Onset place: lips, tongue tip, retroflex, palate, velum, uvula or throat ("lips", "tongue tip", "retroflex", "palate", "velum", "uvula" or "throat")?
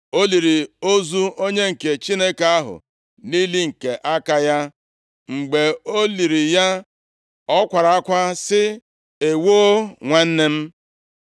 tongue tip